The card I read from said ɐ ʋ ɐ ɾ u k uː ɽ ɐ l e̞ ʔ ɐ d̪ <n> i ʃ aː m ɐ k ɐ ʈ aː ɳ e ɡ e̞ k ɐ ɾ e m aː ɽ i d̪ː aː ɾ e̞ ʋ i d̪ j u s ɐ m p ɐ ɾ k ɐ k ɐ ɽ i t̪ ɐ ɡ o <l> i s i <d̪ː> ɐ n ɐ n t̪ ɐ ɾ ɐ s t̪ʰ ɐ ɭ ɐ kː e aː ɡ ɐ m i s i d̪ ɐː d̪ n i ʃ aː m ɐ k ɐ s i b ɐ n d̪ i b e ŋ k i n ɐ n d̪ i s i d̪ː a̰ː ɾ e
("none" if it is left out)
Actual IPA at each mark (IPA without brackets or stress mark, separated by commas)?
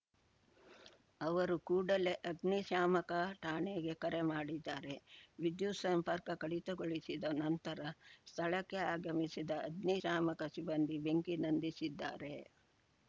n, ɭ, d̪